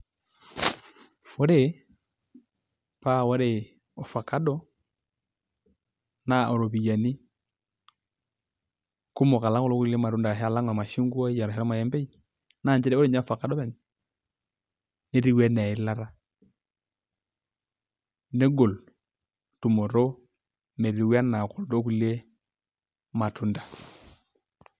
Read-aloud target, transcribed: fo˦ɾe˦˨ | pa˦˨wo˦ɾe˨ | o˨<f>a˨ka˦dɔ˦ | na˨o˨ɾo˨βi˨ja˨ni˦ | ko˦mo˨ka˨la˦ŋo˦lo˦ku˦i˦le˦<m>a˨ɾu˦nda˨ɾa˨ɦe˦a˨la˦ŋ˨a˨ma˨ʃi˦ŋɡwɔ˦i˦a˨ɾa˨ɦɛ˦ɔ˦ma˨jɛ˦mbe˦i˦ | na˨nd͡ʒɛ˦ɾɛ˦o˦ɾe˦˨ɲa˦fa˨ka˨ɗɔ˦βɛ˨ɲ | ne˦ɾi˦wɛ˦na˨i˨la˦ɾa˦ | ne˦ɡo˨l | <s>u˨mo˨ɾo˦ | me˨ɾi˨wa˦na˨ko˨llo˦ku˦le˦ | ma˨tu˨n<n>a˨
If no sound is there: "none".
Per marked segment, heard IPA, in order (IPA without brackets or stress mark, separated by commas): f, m, t, d